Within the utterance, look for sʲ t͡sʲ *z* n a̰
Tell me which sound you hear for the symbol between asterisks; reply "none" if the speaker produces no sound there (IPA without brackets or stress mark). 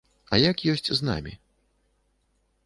z